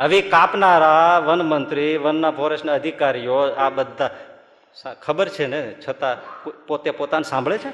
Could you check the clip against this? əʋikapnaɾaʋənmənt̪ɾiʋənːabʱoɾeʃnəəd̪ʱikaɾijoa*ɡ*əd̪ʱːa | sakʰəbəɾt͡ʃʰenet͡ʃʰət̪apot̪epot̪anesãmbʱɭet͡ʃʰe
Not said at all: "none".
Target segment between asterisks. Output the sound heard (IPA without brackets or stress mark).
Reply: b